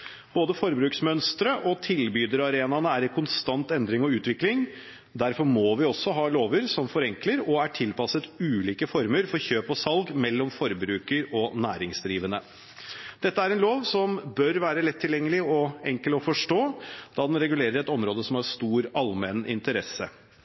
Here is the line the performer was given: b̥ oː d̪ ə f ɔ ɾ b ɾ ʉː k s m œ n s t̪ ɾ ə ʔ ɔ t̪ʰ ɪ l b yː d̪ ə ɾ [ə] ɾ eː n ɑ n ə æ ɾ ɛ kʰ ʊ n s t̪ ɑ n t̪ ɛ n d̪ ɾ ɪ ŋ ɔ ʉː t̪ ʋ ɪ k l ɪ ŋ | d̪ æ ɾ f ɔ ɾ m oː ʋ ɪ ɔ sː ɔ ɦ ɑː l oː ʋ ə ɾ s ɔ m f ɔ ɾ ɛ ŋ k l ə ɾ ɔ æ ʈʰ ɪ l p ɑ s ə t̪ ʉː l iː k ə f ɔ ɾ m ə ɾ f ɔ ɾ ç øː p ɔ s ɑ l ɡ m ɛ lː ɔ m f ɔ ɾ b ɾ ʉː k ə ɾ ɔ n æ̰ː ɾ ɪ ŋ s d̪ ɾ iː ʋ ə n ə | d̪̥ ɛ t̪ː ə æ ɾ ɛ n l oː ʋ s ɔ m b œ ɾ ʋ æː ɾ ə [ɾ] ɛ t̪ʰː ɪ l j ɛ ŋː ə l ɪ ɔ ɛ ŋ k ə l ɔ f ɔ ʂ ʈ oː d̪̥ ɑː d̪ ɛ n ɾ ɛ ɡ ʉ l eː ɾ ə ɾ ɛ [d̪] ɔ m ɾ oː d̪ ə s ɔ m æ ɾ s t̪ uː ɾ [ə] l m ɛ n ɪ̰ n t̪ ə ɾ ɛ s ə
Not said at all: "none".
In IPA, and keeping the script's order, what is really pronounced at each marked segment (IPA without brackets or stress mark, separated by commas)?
ɑ, l, t̪, ɑ